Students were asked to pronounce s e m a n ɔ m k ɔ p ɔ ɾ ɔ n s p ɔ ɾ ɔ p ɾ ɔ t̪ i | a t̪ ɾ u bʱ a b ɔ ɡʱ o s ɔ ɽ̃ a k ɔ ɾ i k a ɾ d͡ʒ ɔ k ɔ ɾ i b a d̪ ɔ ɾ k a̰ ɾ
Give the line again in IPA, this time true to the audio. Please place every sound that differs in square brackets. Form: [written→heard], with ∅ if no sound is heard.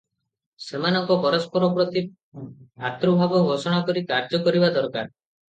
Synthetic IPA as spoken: s e m a n ɔ [m→ŋ] k ɔ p ɔ ɾ ɔ [n→∅] s p ɔ ɾ ɔ p ɾ ɔ t̪ i | a t̪ ɾ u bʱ a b ɔ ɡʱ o s ɔ ɽ̃ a k ɔ ɾ i k a ɾ d͡ʒ ɔ k ɔ ɾ i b a d̪ ɔ ɾ k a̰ ɾ